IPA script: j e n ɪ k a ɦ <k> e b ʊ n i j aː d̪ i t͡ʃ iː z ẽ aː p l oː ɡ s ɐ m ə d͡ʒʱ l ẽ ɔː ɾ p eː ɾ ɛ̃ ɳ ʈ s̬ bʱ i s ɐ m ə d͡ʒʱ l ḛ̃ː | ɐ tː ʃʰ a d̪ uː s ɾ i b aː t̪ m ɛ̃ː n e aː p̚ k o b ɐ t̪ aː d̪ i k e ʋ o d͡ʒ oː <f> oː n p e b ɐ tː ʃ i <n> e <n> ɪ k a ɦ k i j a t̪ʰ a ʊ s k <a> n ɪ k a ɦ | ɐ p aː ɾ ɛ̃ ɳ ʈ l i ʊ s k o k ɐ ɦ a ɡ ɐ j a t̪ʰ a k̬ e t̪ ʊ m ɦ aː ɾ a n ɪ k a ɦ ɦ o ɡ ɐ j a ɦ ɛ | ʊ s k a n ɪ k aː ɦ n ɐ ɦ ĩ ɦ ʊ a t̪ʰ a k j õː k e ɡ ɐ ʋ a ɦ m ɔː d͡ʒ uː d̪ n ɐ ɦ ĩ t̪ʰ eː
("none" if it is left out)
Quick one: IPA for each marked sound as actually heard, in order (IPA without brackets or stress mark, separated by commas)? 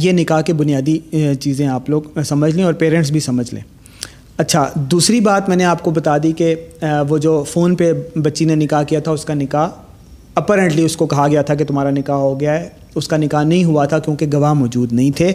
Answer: k, f, n, n, a